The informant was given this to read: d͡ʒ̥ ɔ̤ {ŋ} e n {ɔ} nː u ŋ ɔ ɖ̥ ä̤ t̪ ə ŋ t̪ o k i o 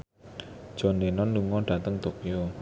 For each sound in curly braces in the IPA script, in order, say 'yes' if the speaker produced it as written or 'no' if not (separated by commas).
no, yes